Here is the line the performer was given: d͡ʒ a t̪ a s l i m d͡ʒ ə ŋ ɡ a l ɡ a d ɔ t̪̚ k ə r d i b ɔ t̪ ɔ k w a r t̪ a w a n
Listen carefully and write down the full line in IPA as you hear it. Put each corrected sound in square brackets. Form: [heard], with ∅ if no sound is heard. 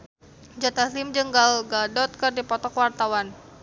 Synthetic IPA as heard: d͡ʒ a t̪ a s l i m d͡ʒ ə ŋ ɡ a l ɡ a d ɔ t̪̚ k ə r d i [p] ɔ t̪ ɔ k w a r t̪ a w a n